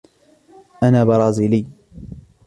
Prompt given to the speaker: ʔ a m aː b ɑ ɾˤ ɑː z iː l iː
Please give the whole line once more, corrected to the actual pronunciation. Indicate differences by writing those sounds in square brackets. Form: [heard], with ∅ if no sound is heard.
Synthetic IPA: ʔ a [n] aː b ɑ ɾˤ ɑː z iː l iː